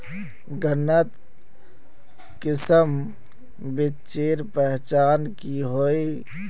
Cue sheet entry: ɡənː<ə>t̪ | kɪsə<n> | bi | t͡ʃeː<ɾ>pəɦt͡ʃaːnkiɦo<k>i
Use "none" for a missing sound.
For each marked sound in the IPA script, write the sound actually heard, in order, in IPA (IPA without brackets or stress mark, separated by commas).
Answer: ə, m, ɾ, none